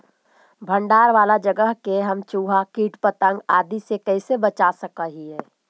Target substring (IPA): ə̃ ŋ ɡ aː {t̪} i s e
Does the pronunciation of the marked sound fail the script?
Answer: yes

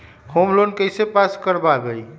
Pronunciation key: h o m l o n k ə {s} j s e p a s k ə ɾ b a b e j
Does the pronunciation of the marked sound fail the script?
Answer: yes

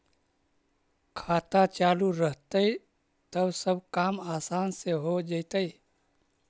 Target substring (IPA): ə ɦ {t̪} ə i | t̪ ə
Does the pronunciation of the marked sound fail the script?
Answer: no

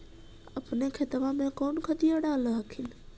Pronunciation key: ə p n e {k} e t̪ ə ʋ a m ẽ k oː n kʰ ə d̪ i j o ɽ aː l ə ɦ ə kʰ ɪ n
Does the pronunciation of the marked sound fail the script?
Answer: yes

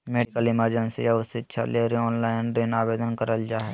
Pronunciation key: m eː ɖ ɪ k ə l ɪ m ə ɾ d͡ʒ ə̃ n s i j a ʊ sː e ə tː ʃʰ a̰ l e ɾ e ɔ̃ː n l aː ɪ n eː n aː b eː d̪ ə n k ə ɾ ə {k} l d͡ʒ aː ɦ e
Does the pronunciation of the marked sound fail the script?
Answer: yes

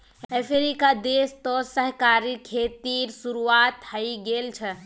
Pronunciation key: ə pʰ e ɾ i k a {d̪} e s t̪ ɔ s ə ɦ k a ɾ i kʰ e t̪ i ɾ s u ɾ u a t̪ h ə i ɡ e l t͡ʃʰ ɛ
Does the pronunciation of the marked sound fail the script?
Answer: no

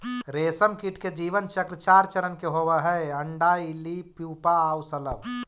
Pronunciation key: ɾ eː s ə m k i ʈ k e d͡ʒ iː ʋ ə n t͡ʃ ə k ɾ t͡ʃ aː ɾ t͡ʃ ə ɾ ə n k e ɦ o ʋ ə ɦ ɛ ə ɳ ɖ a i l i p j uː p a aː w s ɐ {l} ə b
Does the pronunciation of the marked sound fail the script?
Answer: no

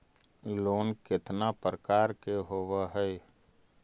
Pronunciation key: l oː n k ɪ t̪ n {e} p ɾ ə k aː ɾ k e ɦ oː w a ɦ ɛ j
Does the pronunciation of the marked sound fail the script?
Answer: yes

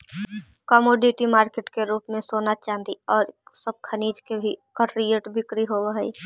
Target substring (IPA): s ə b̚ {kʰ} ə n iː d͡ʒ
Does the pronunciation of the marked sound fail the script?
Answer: no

